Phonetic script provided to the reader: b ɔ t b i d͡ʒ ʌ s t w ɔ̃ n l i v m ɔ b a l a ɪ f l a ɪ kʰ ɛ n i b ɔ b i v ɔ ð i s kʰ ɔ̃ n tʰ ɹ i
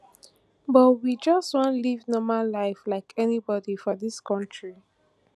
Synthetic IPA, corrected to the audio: b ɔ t w i d͡ʒ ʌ s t w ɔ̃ n l i v n ɔ m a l a ɪ f l a ɪ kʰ ɛ n i b ɔ d i f ɔ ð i s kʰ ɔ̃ n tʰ ɹ i